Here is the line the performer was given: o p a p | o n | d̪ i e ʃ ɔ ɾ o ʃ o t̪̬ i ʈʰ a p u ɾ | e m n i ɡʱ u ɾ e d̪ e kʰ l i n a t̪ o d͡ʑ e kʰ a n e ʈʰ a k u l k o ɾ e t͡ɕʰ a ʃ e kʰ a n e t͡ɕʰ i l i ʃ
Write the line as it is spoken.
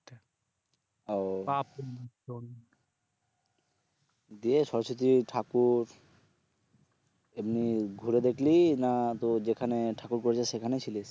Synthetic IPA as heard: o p a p | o n | d̪ i e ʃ ɔ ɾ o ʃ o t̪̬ i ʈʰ a k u ɾ | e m n i ɡʱ u ɾ e d̪ e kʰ l i n a t̪ o d͡ʑ e kʰ a n e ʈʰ a k u ɾ k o ɾ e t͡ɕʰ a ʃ e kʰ a n e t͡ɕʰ i l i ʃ